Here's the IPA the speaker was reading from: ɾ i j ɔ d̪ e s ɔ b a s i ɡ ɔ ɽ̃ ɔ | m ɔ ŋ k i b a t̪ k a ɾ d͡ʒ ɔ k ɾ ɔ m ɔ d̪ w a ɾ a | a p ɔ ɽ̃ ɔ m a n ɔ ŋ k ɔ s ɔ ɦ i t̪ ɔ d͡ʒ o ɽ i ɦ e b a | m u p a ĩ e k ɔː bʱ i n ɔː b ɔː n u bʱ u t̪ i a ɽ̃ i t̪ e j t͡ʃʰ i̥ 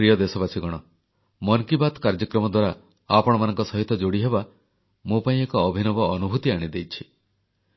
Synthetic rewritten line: ɾ i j ɔ d̪ e s ɔ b a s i ɡ ɔ ɽ̃ ɔ | m ɔ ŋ k i b a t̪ k a ɾ d͡ʒ ɔ k ɾ ɔ m ɔ d̪ w a ɾ a | a p ɔ ɽ̃ ɔ m a n ɔ ŋ k ɔ s ɔ ɦ i t̪ ɔ d͡ʒ o ɽ i ɦ e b a | m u p a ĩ e k ɔː bʱ i n ɔ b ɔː n u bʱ u t̪ i a ɽ̃ i d̪ e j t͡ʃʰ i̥